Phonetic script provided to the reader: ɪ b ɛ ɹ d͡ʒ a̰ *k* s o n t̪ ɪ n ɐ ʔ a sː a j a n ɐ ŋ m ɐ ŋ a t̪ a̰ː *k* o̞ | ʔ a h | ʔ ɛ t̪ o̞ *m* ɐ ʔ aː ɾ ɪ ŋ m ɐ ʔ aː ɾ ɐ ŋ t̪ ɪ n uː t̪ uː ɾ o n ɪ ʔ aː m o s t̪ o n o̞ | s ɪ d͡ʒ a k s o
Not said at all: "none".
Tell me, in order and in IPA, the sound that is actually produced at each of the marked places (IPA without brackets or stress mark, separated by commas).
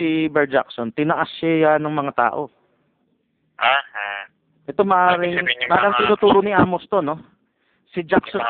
k, ʔ, m